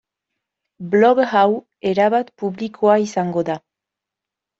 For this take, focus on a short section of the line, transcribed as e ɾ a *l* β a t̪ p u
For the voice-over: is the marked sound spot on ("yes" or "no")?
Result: no